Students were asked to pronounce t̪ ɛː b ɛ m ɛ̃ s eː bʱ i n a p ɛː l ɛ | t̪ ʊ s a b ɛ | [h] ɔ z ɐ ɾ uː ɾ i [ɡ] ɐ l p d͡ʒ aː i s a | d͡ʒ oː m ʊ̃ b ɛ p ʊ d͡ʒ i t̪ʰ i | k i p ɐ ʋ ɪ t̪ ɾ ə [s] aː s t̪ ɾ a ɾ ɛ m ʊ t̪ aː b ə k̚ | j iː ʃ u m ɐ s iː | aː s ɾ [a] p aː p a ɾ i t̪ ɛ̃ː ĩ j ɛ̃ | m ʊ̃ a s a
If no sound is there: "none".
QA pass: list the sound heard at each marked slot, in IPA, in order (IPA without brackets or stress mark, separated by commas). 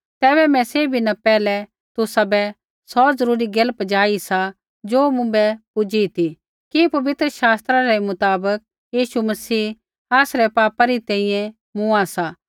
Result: s, ɡ, ʃ, ɛ